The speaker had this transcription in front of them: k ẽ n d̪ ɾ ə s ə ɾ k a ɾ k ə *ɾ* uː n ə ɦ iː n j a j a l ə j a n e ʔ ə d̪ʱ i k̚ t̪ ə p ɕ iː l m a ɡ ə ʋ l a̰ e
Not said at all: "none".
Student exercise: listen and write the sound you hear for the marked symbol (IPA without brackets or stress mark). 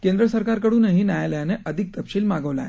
ɽ